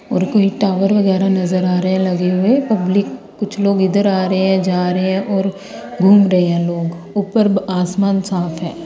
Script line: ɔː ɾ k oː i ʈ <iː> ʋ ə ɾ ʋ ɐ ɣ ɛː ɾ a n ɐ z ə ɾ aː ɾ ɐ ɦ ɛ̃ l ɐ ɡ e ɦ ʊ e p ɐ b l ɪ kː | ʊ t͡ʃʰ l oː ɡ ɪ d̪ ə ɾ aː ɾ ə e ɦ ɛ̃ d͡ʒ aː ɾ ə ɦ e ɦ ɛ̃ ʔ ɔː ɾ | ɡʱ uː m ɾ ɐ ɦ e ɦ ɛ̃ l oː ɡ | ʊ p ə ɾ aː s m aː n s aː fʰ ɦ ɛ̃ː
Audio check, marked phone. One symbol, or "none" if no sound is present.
aː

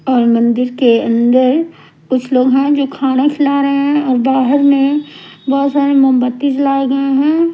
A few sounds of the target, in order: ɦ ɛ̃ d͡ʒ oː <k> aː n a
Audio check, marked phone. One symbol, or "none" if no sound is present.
kʰ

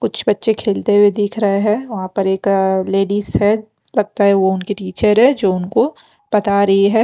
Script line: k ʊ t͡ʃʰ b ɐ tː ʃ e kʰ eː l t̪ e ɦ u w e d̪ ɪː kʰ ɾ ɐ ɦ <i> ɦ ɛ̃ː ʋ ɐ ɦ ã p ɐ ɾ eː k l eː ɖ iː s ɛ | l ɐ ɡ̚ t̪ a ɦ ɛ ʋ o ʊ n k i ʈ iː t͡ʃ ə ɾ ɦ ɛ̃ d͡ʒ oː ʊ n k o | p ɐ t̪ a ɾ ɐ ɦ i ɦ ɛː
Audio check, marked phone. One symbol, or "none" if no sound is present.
e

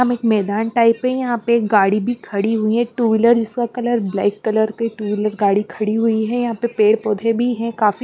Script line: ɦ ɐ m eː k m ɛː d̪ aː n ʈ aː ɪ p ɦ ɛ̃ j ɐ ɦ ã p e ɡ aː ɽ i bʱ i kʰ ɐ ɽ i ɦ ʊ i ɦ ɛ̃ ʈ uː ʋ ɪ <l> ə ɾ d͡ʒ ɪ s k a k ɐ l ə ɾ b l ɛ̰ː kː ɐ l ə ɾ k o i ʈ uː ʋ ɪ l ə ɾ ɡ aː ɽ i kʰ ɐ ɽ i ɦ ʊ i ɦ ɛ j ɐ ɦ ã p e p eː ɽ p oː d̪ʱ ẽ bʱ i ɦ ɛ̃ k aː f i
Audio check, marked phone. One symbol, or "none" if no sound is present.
l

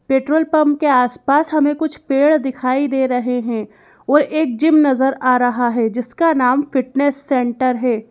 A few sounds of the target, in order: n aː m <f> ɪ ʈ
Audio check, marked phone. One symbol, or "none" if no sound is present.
f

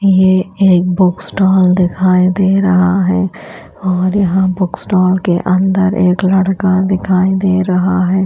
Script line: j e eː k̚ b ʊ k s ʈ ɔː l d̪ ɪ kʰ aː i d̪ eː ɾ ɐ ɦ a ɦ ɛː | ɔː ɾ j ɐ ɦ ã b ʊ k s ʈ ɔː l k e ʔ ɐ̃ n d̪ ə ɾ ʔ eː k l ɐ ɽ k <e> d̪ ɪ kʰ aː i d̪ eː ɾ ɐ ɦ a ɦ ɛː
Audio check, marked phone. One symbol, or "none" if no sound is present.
a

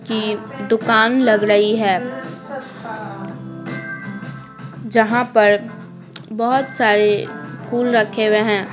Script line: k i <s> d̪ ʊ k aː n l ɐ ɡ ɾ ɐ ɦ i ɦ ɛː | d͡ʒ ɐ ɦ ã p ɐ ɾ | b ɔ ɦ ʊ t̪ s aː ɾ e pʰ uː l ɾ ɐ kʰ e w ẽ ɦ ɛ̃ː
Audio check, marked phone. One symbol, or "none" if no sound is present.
none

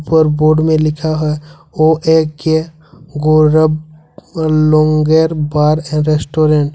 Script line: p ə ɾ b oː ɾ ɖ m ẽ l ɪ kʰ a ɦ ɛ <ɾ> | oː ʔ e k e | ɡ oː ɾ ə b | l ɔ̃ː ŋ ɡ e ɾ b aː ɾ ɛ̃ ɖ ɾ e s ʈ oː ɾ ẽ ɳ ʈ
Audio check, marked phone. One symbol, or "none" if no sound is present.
none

